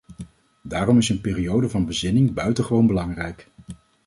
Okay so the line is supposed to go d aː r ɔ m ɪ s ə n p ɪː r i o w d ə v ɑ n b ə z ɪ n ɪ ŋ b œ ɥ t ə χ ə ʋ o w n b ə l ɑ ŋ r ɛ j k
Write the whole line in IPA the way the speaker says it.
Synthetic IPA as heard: d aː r ɔ m ɪ s ə n p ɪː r i o w d ə v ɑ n b ə z ɪ n ɪ ŋ b œ ɥ t ə χ ə ʋ o w n b ə l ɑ ŋ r ɛ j k